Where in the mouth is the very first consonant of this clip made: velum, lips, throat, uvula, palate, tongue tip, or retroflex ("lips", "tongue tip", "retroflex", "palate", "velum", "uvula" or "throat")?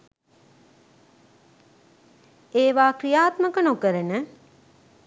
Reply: lips